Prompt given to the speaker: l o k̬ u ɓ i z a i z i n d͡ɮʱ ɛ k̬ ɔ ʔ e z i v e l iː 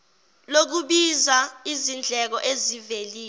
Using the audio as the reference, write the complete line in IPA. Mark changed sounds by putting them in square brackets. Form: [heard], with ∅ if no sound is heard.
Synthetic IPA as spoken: l o k̬ u ɓ i z a i z i n d͡ɮʱ ɛ k̬ ɔ ʔ e z i v e l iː